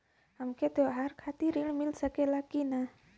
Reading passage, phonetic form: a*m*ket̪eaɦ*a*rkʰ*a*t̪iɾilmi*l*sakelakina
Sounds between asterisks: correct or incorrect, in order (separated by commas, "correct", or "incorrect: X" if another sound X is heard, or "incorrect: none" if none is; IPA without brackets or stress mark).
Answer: correct, correct, correct, correct